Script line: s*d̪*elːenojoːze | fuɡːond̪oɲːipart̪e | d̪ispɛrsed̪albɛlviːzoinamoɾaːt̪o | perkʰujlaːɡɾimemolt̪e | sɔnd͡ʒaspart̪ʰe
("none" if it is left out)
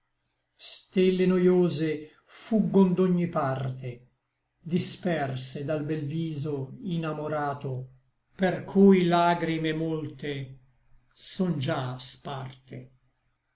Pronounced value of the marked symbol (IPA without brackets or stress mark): t̪